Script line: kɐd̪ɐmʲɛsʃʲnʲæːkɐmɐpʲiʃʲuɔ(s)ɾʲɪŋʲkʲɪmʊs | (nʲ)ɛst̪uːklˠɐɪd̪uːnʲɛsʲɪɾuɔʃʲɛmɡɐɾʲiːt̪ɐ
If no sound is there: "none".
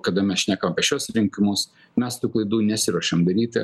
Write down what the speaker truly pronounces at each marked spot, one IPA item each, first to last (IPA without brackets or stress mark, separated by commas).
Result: s, mʲ